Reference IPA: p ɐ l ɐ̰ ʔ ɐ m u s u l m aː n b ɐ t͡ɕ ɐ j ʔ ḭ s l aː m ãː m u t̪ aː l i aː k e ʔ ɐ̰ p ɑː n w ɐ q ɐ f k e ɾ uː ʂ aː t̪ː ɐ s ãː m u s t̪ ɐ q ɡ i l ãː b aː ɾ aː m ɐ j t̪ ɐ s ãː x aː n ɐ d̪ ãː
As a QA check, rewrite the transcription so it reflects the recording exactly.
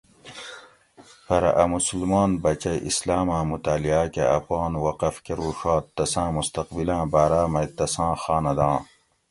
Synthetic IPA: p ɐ ɾ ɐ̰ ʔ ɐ m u s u l m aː n b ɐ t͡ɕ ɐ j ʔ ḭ s l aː m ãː m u t̪ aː l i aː k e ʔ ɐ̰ p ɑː n w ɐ q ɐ f k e ɾ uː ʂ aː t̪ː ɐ s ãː m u s t̪ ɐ q b i l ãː b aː ɾ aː m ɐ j t̪ ɐ s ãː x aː n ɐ d̪ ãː